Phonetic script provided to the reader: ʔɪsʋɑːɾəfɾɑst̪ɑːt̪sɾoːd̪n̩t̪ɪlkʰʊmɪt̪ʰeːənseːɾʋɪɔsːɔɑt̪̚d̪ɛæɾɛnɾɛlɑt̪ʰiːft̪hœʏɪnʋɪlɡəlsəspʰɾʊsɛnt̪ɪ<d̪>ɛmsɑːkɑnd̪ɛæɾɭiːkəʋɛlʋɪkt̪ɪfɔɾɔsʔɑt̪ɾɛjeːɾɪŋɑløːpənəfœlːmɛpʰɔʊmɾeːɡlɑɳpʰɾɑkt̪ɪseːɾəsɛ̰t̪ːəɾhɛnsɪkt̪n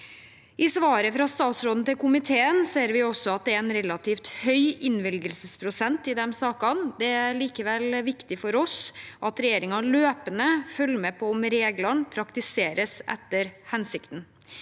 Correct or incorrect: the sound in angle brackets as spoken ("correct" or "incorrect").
correct